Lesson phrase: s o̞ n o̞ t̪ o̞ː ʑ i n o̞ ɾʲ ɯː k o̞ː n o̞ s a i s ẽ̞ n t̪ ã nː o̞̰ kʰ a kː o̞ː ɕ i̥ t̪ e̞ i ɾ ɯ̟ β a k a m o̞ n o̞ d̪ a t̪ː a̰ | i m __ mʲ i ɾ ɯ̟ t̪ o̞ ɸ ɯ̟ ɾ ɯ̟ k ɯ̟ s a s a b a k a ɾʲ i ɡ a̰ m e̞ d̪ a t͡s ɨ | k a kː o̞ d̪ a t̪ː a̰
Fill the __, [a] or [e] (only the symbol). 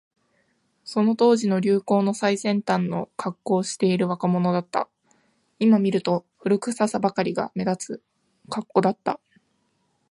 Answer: a